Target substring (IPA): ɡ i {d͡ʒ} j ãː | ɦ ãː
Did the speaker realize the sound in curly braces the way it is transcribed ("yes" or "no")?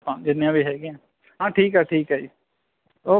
no